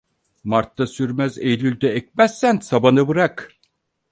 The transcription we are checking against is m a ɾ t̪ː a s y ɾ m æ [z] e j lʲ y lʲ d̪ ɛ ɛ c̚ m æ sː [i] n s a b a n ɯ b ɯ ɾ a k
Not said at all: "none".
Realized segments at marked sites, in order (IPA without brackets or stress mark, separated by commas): z, æ